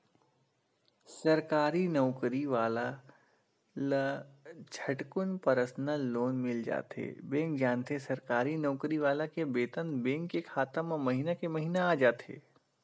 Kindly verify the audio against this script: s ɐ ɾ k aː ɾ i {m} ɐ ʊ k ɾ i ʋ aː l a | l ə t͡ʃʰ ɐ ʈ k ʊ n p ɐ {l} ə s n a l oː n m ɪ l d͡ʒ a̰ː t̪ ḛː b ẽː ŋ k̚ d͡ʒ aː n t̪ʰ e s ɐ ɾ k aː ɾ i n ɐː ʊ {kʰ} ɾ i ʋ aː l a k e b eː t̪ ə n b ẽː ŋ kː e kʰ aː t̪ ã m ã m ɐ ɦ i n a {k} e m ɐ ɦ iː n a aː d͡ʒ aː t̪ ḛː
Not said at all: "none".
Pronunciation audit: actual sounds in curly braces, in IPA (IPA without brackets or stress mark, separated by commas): n, ɾ, k, k